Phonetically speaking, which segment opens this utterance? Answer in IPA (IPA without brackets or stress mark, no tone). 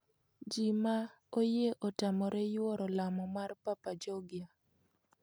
d͡ʒ